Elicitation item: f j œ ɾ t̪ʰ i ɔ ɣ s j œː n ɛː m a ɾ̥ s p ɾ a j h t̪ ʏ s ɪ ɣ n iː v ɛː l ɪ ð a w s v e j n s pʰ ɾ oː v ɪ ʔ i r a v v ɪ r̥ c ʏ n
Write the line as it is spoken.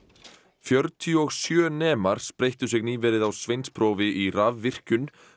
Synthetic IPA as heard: f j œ ɾ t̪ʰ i ɔ ɣ s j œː n ɛː m a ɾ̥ s p ɾ e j h t̪ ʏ s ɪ ɣ n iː v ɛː ɾ ɪ ð a w s v e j n s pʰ ɾ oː v ɪ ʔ i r a v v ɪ r̥ c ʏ n